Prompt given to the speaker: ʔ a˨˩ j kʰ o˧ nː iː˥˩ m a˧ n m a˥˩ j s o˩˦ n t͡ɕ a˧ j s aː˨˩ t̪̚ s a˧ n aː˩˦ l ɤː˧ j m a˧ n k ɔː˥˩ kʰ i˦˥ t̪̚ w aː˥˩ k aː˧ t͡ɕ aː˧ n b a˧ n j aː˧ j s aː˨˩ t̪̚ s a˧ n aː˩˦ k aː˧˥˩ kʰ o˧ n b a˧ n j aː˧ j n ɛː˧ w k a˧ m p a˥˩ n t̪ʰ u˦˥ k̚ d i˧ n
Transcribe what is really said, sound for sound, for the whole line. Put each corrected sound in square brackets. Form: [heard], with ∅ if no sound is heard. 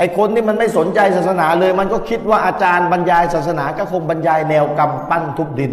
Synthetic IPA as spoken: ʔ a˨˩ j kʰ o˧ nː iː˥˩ m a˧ n m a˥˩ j s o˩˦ n t͡ɕ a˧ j s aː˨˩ t̪̚ s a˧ n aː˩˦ l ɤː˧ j m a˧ n k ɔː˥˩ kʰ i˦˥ t̪̚ w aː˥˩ [ʔ] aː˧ t͡ɕ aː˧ n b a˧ n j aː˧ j s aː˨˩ t̪̚ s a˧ n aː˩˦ k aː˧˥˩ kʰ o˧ [ŋ] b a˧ n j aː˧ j n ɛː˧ w k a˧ m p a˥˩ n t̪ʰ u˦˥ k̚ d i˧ n